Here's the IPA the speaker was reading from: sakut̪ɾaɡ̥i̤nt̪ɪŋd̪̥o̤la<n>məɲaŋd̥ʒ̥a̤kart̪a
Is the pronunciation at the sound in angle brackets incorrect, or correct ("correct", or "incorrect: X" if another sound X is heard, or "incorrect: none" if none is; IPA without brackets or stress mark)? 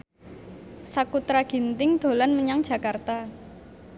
correct